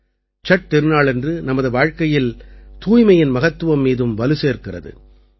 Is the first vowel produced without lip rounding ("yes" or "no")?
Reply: yes